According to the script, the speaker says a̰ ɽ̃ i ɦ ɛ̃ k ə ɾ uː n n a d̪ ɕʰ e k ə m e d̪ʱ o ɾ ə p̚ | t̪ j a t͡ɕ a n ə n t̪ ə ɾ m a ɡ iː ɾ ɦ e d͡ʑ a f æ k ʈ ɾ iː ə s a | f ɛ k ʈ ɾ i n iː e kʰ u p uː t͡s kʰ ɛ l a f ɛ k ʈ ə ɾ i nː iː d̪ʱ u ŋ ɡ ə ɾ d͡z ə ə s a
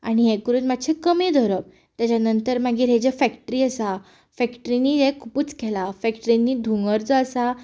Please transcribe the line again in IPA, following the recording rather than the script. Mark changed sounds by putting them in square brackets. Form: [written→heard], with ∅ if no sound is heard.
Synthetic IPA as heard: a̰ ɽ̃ i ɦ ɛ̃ k ə ɾ uː n [n→m] a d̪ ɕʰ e k ə m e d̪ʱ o ɾ ə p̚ | t̪ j a t͡ɕ a n ə n t̪ ə ɾ m a ɡ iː ɾ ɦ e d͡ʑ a f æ k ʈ ɾ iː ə s a | f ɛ k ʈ ɾ i n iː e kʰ u p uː t͡s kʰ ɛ l a f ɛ k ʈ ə ɾ i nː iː d̪ʱ u ŋ ɡ ə ɾ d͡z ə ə s a